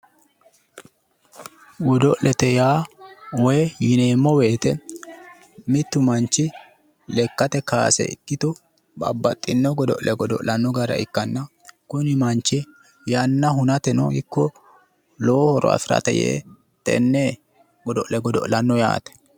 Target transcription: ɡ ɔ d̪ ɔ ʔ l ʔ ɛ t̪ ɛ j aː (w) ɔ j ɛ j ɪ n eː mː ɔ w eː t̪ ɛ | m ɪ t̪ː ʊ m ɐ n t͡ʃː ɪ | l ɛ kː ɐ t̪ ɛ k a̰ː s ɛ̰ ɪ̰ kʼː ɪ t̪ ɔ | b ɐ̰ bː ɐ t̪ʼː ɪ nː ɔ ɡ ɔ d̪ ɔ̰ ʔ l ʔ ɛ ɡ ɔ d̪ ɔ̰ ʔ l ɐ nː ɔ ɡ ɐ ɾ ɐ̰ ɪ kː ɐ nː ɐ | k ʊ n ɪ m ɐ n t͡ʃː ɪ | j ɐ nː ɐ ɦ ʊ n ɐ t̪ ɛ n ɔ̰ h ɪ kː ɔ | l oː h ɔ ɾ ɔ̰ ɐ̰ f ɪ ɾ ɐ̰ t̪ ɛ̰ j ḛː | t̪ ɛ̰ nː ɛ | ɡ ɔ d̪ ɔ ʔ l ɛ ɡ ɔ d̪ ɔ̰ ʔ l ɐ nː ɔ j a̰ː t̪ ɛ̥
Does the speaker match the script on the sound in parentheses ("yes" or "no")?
yes